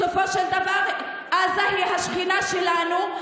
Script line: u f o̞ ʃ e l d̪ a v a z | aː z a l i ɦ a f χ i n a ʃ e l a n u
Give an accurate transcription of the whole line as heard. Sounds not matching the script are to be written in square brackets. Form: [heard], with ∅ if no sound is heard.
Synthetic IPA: [o] f o̞ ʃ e l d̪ a v a [ʁ] | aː z a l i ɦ a [ʃ] χ i n a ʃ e l a n u